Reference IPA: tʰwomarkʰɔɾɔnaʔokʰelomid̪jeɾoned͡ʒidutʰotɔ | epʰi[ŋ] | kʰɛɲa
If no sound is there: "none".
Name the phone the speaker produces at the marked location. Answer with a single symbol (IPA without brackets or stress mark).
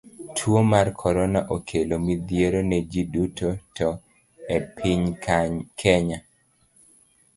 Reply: ɲ